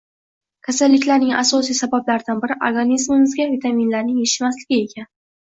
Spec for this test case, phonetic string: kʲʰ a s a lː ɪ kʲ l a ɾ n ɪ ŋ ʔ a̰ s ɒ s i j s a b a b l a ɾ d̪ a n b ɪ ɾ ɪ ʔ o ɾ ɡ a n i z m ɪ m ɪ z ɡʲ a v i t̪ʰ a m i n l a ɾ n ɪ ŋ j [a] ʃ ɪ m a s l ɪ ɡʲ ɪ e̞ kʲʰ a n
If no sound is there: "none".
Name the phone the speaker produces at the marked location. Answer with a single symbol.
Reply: e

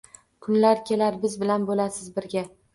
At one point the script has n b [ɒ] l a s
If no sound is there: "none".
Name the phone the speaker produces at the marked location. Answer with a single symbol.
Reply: o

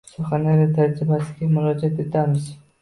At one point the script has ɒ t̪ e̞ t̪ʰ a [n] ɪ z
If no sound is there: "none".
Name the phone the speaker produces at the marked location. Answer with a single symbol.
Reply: m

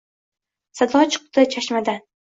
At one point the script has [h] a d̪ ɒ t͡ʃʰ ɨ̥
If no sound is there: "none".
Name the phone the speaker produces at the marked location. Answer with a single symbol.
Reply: s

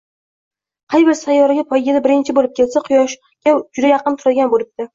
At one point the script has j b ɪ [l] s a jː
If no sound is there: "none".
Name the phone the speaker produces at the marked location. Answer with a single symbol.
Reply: ɾ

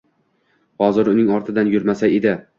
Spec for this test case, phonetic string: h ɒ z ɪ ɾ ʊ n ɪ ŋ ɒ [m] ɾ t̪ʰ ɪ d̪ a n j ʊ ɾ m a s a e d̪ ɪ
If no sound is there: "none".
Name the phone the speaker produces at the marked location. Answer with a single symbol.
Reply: none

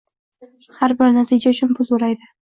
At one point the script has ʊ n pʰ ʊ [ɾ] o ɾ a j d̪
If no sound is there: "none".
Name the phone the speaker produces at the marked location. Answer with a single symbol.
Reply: l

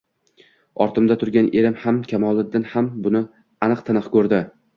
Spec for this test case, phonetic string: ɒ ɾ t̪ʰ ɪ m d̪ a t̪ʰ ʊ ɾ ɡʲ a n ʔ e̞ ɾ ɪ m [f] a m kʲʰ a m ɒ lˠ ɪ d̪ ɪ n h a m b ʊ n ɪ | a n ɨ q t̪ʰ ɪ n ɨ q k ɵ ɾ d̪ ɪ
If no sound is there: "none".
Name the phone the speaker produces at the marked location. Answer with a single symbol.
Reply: h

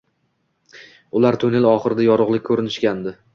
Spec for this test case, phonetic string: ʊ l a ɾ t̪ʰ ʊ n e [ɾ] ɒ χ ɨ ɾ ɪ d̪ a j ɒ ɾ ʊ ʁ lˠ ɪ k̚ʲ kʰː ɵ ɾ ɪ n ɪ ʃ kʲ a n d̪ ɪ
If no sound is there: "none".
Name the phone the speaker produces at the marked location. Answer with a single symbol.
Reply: l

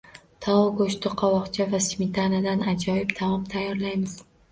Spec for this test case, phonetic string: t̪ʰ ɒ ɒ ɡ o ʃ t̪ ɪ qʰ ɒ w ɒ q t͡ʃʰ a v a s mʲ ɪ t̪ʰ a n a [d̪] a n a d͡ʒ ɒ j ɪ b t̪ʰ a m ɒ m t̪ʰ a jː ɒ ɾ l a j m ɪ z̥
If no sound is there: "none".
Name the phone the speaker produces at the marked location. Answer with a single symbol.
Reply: d̪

